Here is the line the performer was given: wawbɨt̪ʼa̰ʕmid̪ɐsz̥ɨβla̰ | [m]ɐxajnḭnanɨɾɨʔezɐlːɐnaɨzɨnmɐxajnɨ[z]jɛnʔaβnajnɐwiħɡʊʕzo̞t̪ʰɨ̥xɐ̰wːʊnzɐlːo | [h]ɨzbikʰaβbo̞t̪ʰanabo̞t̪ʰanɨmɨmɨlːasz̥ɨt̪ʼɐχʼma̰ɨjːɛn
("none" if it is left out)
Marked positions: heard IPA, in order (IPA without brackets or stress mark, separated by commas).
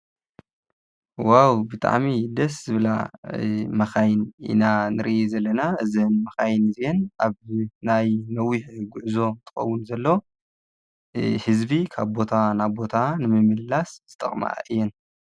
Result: m, z, h